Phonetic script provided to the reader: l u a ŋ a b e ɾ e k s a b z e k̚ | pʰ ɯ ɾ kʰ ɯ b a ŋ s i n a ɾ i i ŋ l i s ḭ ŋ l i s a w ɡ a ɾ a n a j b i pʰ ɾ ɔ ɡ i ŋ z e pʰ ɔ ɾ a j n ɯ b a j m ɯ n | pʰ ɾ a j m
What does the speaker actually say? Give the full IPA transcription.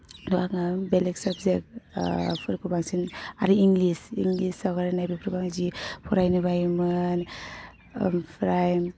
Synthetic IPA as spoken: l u a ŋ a b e l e k s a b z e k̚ | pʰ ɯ ɾ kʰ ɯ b a ŋ s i n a ɾ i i ŋ l i s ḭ ŋ l i s a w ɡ a ɾ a n a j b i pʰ ɾ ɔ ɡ a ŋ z i pʰ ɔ ɾ a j n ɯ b a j m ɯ n | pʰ ɾ a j m